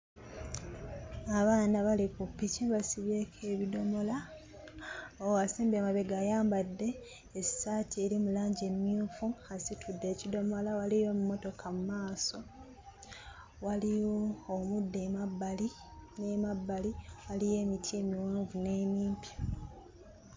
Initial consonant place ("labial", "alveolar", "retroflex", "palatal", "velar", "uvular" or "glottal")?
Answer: labial